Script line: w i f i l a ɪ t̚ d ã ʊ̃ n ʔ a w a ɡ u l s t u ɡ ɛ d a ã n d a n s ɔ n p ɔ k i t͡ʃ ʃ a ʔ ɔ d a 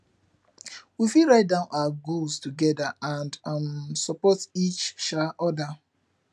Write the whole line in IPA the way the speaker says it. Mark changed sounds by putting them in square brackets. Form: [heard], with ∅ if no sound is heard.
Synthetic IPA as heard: w i f i [ɹ] a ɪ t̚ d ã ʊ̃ n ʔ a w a ɡ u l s t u ɡ ɛ d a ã n d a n s ɔ [∅] p ɔ [t] i t͡ʃ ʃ a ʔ ɔ d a